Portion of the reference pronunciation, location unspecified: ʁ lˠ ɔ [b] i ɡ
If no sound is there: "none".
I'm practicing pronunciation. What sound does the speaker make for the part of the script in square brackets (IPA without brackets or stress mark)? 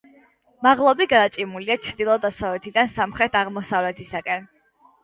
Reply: b